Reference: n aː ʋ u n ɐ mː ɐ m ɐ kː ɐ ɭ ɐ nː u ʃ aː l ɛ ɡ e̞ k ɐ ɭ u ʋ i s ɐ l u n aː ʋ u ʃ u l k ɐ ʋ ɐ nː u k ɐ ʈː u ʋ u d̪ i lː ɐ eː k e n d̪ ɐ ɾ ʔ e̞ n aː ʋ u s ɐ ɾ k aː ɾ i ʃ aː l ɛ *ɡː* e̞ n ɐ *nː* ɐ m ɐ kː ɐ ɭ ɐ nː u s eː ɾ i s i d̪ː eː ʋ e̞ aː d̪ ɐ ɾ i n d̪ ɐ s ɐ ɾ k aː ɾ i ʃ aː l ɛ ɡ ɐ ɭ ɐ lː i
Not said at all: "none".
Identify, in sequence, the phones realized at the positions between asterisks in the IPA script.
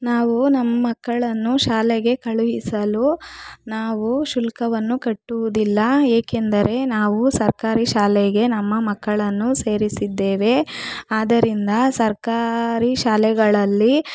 ɡ, mː

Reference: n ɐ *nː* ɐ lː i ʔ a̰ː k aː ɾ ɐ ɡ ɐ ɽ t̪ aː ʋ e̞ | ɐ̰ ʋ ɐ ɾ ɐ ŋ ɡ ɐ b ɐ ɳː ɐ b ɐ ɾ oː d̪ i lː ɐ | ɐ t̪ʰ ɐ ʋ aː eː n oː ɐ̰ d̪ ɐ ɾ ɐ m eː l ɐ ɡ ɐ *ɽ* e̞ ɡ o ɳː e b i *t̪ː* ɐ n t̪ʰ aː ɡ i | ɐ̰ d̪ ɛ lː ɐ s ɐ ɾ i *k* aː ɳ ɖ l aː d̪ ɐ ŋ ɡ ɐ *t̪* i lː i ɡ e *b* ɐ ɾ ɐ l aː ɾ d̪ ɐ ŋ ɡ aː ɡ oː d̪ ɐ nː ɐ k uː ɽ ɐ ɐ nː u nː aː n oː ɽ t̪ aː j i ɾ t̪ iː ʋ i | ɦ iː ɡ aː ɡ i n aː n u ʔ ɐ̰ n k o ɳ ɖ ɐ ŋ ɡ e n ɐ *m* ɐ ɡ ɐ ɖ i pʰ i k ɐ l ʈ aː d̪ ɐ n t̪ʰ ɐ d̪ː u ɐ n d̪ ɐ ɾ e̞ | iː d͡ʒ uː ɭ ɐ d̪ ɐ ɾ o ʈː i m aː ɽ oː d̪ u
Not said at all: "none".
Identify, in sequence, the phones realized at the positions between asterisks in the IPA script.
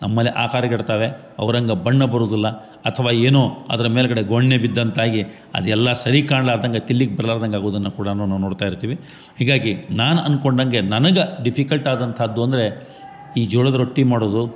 mː, ɽ, d̪ː, k, t̪, b, n

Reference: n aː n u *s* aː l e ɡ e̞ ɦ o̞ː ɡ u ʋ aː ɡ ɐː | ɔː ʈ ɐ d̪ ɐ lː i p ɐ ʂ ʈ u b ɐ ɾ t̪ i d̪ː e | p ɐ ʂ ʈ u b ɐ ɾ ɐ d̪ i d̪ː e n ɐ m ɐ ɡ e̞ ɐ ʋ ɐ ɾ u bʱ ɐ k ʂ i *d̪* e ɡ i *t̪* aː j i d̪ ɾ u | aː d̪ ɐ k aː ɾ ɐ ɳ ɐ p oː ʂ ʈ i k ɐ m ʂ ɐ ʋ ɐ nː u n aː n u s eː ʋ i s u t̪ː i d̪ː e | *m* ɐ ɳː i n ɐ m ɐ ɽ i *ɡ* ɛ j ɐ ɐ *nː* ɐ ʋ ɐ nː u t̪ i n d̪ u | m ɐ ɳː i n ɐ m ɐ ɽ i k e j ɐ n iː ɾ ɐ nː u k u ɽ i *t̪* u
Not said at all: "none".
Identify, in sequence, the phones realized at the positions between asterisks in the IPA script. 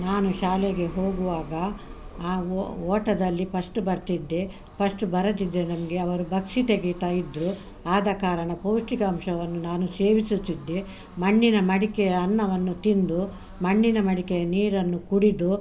ʃ, t̪, t̪, m, k, nː, d̪

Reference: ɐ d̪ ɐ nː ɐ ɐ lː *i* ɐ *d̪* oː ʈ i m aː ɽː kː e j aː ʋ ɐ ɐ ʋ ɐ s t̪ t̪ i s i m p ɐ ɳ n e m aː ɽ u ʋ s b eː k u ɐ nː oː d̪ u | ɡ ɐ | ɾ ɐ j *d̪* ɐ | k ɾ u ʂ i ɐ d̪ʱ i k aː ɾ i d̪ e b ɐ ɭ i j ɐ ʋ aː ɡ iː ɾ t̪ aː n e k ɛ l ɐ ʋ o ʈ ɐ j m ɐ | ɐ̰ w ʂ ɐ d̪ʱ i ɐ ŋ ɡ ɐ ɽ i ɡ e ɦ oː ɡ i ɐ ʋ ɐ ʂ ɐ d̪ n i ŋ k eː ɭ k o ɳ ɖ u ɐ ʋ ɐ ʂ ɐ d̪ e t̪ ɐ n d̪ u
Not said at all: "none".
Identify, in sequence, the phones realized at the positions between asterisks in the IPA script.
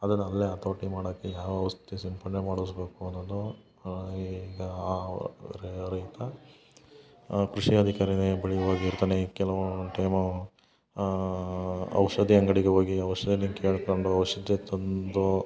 e, t̪, t̪

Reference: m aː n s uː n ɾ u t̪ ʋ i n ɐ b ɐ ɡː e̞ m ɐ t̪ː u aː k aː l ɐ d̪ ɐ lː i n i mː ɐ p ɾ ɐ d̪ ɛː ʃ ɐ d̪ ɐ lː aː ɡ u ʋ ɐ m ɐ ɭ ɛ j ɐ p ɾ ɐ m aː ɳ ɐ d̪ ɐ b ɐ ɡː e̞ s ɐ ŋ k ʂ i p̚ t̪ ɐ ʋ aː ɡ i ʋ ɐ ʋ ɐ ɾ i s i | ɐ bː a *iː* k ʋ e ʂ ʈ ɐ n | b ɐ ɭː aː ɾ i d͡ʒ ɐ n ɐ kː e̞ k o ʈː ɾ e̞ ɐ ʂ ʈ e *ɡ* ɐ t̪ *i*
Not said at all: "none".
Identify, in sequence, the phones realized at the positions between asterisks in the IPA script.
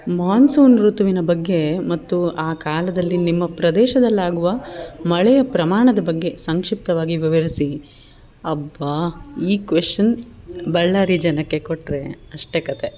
iː, k, e

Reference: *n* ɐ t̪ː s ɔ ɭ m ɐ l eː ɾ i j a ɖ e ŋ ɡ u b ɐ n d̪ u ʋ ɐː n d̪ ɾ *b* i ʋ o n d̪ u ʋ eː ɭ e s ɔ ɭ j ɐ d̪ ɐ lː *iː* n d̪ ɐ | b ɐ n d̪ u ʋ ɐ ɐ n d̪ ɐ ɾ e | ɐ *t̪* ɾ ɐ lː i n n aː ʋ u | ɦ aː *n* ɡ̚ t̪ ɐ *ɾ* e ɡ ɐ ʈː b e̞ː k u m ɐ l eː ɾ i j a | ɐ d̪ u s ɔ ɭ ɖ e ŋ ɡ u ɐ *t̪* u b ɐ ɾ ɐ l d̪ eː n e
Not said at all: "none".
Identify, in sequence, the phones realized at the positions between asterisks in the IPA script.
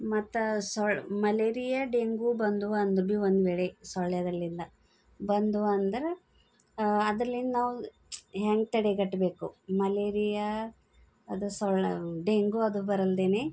m, b, i, d̪, ŋ, ɽ, d̪

